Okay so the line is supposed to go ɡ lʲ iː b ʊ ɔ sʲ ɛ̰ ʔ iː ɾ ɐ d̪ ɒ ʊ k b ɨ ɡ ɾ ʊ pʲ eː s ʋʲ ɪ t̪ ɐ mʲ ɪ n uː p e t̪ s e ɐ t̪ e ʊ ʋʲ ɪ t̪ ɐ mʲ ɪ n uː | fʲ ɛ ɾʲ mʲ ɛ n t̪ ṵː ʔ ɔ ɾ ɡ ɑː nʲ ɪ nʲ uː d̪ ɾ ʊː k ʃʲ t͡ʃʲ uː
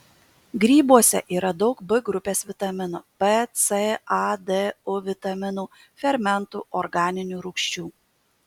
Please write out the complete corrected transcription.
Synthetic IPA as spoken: ɡ ɾʲ iː b u ɔ sʲ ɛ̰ ʔ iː ɾ ɐ d̪ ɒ ʊ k b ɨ ɡ ɾ ʊ pʲ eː s ʋʲ ɪ t̪ ɐ mʲ ɪ n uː p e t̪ s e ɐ d̪ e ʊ ʋʲ ɪ t̪ ɐ mʲ ɪ n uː | fʲ ɛ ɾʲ mʲ ɛ n t̪ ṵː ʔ ɔ ɾ ɡ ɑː nʲ ɪ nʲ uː ɾ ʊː k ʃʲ t͡ʃʲ uː